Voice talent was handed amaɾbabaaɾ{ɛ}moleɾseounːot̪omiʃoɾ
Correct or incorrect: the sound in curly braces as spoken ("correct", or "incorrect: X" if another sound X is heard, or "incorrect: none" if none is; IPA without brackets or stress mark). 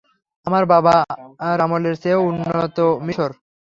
incorrect: a